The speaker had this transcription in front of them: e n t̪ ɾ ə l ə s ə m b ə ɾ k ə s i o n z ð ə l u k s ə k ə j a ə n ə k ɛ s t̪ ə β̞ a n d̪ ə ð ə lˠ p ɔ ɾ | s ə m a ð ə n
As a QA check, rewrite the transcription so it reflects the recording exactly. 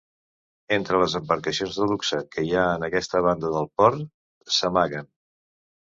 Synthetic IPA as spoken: e n t̪ ɾ ə l ə z ə m b ə ɾ k ə s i o n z ð ə l u k s ə k ə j a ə n ə k ɛ s t̪ ə β̞ a n d̪ ə ð ə lˠ p ɔ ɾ | s ə m a ɣ ə n